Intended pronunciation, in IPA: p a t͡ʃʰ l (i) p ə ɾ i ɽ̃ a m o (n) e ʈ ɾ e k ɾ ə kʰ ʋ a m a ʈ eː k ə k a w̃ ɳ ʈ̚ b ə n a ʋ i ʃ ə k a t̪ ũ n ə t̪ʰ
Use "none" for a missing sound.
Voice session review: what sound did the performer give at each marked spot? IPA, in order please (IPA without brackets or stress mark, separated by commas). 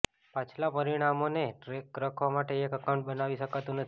a, n